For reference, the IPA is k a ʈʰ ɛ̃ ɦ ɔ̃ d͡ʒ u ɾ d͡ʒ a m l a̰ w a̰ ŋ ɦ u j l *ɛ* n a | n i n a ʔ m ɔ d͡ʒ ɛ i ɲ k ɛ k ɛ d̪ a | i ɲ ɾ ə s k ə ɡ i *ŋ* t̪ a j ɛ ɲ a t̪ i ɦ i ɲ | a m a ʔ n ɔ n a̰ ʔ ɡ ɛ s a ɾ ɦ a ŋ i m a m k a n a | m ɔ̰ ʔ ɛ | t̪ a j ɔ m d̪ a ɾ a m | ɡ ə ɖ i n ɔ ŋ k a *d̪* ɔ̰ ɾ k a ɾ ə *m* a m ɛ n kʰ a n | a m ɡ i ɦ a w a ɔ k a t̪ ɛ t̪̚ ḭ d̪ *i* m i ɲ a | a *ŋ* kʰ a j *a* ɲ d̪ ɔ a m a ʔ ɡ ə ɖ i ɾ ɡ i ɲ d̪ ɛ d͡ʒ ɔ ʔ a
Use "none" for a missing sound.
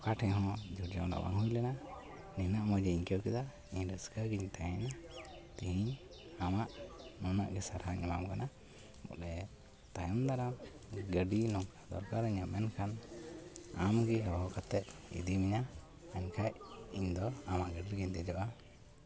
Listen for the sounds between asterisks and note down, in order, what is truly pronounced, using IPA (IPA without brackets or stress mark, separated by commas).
ɛ, ɲ, d̪, ɲ, i, ɲ, i